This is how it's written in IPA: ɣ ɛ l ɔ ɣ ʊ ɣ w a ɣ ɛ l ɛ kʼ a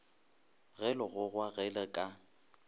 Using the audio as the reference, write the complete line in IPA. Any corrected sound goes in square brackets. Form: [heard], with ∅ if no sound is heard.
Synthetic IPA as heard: ɣ ɛ l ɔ ɣ ʊ ɣ w a ɣ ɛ l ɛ kʼ a